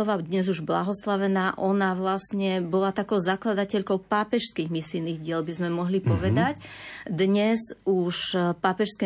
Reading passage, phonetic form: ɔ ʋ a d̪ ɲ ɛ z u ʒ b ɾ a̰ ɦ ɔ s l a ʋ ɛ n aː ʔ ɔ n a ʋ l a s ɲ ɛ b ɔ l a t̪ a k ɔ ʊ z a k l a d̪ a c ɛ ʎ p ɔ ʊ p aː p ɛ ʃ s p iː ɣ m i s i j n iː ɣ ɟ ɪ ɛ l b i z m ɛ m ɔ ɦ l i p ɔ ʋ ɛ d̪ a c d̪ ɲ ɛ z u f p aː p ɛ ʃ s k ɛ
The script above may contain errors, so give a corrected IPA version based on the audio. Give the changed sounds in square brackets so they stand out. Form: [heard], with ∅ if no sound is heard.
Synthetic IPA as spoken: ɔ ʋ a d̪ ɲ ɛ z u ʒ b [l] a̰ ɦ ɔ s l a ʋ ɛ n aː ʔ ɔ n a ʋ l a s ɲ ɛ b ɔ l a t̪ a k ɔ ʊ z a k l a d̪ a c ɛ ʎ [k] ɔ ʊ p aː p ɛ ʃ s [k] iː ɣ m i s i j n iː ɣ ɟ ɪ ɛ l b i z m ɛ m ɔ ɦ l i p ɔ ʋ ɛ d̪ a c d̪ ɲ ɛ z u [ʃ] p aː p ɛ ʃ s k ɛ